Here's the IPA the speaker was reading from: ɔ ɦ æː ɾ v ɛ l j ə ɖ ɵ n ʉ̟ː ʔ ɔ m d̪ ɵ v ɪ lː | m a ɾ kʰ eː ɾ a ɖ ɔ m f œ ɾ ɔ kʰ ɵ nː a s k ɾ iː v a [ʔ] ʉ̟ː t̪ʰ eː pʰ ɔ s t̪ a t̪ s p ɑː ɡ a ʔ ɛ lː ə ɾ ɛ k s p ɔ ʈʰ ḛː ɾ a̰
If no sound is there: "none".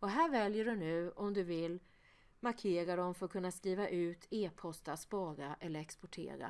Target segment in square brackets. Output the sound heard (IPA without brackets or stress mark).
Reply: ʔ